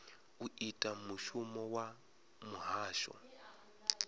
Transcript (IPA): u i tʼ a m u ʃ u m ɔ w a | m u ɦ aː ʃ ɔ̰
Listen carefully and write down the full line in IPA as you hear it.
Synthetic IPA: u i tʼ a m u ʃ u m ɔ w a | m u ɦ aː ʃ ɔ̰